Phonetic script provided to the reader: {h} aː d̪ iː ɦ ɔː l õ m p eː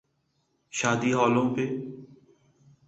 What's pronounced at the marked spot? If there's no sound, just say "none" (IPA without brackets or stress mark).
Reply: ʃ